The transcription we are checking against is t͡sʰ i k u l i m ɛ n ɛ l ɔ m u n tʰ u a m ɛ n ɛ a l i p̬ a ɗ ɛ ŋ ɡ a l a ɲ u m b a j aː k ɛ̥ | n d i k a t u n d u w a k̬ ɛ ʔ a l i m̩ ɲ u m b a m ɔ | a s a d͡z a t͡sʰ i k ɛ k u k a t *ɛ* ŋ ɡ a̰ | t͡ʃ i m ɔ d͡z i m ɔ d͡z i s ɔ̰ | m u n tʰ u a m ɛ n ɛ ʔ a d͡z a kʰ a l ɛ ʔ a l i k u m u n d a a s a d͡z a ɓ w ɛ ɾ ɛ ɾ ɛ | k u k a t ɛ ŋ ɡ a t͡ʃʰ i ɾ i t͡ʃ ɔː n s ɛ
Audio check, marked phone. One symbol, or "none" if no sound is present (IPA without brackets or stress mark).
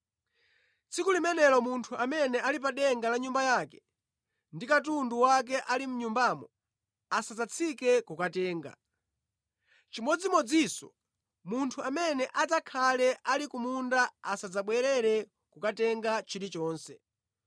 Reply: ɛː